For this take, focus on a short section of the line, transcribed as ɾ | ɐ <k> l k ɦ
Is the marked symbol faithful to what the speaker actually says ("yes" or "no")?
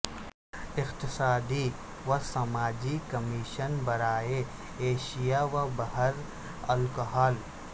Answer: no